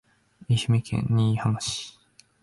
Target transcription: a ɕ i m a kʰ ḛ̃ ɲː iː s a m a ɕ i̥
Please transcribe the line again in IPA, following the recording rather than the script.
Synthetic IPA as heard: i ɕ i m i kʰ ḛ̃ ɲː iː h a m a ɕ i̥